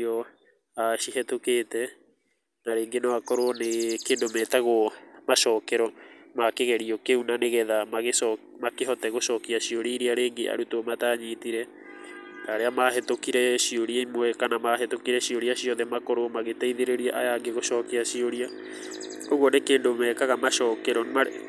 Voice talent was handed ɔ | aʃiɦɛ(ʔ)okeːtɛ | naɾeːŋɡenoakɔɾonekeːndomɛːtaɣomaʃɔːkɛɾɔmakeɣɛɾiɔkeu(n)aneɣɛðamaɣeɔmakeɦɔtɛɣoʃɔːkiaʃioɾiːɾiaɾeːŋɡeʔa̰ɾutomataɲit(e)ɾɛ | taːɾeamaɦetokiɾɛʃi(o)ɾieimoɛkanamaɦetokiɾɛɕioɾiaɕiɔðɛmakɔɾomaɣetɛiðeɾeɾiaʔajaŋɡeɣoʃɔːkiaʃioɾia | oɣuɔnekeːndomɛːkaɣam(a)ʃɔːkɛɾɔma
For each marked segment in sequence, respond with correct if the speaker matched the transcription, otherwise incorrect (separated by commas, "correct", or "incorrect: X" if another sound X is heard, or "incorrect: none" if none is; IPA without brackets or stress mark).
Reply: incorrect: t, correct, incorrect: i, correct, correct